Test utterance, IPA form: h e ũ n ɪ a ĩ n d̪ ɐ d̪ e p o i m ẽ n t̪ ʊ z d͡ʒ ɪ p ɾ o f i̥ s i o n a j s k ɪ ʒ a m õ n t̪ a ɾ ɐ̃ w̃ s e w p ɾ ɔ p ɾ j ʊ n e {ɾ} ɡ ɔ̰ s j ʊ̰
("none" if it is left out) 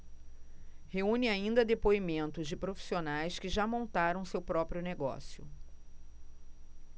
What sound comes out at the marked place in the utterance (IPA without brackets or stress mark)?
none